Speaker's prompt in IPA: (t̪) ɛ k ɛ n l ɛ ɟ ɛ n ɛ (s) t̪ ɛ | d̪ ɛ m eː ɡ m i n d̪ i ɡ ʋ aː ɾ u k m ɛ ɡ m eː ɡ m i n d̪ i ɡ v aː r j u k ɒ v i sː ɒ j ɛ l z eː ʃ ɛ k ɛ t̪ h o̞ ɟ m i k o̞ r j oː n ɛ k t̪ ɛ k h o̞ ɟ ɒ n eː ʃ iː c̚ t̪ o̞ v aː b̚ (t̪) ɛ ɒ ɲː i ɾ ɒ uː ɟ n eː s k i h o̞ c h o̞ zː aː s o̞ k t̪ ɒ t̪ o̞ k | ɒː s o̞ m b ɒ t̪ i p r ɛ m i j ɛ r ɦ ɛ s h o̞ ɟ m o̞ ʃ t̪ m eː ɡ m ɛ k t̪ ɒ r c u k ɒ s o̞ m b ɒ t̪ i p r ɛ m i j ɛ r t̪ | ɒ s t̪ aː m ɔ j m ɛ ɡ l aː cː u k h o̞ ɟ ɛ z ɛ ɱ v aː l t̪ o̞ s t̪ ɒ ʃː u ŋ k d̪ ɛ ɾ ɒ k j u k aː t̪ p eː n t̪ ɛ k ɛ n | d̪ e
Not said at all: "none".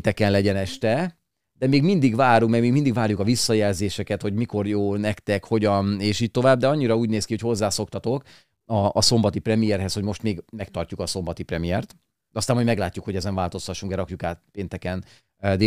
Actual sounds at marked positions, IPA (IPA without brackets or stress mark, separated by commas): t̪, ʃ, d̪